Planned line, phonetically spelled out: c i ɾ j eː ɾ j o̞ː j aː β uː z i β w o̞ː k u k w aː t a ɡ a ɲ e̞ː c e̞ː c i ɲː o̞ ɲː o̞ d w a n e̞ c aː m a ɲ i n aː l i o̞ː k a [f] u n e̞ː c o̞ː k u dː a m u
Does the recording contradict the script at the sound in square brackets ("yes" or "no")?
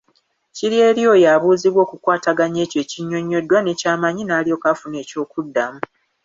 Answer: no